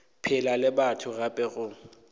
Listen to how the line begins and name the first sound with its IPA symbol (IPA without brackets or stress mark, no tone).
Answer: pʰ